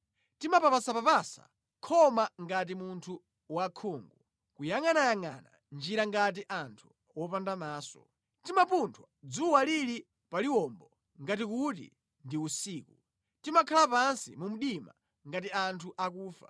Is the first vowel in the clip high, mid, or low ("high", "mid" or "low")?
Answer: high